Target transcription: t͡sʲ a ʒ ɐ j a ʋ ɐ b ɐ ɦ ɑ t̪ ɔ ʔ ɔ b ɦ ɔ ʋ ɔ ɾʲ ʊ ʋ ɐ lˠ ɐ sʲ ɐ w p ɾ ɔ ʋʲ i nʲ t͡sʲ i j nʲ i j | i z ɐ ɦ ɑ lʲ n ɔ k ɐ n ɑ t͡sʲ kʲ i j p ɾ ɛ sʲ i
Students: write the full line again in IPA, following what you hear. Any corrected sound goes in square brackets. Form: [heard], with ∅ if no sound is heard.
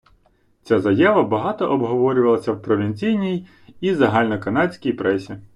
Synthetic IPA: t͡sʲ a [z] ɐ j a ʋ ɐ b ɐ ɦ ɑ t̪ ɔ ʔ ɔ b ɦ ɔ ʋ ɔ ɾʲ ʊ ʋ ɐ lˠ ɐ sʲ ɐ w p ɾ ɔ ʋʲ i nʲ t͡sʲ i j nʲ i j | i z ɐ ɦ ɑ lʲ n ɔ k ɐ n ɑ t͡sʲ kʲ i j p ɾ ɛ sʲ i